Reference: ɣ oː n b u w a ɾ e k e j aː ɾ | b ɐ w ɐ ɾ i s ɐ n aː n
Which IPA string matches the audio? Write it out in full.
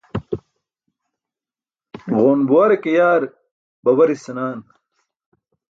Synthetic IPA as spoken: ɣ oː n b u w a ɾ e k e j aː ɾ | b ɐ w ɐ ɾ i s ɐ n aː n